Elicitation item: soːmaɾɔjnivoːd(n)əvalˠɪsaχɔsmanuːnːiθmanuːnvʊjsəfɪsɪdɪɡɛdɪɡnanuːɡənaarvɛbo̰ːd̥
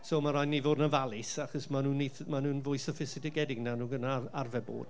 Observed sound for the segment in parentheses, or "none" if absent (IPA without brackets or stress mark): n